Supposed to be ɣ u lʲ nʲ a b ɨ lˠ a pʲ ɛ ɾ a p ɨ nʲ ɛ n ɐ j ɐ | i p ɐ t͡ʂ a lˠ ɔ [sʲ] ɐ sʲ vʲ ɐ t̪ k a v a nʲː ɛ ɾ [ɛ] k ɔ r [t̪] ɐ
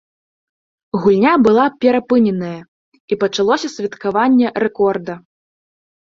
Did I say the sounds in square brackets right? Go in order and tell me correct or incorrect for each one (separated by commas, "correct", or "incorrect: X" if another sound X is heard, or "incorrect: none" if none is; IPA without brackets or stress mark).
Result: correct, correct, incorrect: d̪